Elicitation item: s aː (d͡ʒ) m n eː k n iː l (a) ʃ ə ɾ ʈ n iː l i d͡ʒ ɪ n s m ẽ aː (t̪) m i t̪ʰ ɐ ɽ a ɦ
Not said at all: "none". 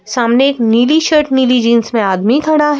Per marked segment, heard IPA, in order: none, i, d̪

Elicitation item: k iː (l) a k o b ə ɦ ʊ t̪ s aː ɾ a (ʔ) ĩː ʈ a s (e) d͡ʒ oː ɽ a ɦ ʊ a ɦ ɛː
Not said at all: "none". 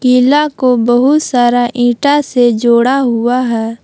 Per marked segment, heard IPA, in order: l, ʔ, e

